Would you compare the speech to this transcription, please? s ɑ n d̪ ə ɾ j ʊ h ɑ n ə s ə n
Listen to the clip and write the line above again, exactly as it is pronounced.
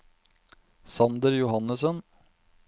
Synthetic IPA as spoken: s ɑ n d̪ ə ɾ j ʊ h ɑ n ə s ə n